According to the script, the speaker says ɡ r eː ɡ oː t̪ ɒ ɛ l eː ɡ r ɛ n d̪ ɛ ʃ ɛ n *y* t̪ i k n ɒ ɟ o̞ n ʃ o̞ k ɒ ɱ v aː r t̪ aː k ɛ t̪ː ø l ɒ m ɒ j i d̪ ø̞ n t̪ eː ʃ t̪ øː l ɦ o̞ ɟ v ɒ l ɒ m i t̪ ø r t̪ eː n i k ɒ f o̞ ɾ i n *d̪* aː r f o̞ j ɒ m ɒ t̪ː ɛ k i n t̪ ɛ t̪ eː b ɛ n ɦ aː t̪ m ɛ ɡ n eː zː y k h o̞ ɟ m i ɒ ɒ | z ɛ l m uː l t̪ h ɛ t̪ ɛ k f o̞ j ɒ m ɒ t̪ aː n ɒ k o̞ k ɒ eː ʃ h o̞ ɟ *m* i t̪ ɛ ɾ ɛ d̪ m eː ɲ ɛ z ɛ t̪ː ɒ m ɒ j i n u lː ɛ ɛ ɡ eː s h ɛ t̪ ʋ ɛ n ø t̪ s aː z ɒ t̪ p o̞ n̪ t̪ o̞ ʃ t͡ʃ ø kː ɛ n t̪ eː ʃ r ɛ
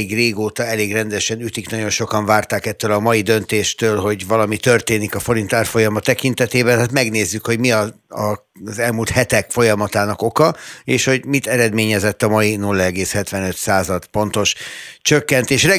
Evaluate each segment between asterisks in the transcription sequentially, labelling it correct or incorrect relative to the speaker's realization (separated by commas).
correct, incorrect, correct